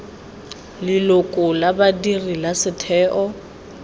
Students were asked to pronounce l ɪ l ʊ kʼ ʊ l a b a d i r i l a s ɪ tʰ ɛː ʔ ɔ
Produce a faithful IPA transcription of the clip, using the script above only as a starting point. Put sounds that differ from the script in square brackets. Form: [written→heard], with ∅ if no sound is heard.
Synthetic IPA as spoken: l ɪ l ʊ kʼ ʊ l a b a d i r i l a s ɪ tʰ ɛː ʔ ɔ